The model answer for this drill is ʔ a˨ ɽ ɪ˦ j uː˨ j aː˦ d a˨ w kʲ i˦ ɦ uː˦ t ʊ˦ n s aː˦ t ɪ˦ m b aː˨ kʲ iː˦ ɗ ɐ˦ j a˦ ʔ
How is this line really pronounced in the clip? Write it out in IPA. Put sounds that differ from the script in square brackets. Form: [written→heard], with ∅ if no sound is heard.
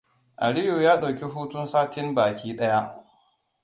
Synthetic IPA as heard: ʔ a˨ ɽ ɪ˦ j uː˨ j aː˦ [d→ɗ] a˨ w kʲ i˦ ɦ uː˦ t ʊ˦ n s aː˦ t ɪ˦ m b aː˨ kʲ iː˦ ɗ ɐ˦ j a˦ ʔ